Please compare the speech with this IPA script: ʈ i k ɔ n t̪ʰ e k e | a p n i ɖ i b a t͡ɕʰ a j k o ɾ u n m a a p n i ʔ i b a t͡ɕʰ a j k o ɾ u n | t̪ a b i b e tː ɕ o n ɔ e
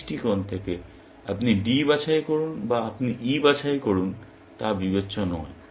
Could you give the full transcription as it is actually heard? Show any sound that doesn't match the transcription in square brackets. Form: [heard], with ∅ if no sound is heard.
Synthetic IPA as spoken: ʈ i k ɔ n t̪ʰ e k e | a p n i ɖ i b a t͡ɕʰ a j k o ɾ u n [b] a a p n i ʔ i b a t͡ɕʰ a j k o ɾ u n | t̪ a b i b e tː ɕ o n ɔ e